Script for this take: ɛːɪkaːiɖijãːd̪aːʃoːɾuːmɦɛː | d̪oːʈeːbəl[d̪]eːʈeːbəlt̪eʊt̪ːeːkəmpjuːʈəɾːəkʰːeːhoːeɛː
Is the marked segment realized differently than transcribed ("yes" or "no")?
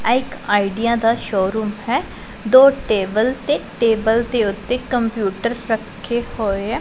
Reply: yes